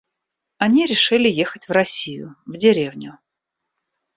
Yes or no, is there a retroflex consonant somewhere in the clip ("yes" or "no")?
yes